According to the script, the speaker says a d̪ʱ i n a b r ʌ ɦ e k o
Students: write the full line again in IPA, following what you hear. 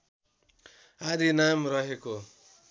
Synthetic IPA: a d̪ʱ i n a m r ʌ ɦ e k o